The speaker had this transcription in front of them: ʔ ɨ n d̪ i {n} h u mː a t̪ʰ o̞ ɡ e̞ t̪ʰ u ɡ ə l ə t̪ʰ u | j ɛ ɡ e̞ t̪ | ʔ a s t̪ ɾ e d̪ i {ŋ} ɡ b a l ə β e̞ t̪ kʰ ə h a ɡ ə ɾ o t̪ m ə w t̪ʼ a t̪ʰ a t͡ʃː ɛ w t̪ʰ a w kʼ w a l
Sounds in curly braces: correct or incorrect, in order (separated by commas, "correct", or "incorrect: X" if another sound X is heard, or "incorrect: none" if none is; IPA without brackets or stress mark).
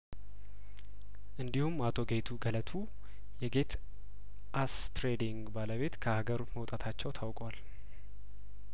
incorrect: none, correct